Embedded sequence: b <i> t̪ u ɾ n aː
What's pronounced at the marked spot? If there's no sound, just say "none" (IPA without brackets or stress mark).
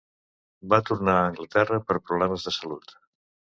a